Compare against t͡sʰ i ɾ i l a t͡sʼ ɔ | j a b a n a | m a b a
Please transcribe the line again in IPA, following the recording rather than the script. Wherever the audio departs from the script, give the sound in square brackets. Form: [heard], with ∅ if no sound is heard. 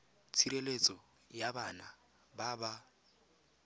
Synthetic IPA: t͡sʰ i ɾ [e] l [e] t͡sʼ ɔ | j a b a n a | [b] a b a